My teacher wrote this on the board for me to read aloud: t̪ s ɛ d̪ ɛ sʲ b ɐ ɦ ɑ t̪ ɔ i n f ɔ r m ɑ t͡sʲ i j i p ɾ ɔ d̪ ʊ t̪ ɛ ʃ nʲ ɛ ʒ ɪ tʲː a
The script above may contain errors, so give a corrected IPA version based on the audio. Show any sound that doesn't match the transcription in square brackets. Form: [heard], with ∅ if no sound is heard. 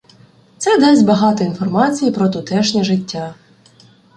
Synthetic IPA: t̪ s ɛ d̪ ɛ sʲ b ɐ ɦ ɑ t̪ ɔ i n f ɔ r m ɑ t͡sʲ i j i p ɾ ɔ [t̪] ʊ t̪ ɛ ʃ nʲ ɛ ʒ ɪ tʲː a